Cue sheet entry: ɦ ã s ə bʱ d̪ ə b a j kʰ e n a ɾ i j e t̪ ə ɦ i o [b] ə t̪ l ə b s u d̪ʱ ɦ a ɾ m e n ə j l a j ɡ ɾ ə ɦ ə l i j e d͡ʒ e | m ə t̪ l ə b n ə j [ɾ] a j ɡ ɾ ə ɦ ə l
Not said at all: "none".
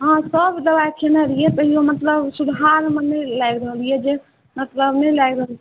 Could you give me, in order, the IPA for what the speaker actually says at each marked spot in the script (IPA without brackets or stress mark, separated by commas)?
m, l